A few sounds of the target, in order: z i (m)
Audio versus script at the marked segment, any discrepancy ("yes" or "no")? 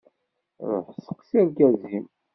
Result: no